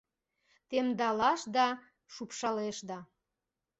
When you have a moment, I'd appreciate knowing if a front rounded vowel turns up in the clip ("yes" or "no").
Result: no